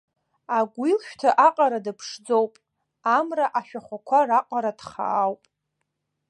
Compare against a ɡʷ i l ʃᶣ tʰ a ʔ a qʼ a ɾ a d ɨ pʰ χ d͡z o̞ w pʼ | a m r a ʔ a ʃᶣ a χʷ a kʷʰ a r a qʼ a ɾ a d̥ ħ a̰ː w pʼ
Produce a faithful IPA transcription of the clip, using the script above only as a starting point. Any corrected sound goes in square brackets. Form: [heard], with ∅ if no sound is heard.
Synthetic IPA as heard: a ɡʷ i l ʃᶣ tʰ a ʔ a qʼ a ɾ a d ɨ pʰ [ʂ] d͡z o̞ w pʼ | a m r a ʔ a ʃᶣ a χʷ a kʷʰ a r a qʼ a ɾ a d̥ [χ] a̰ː w pʼ